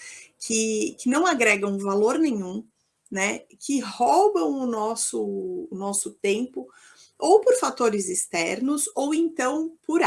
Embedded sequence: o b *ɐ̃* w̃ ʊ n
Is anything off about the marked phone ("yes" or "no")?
no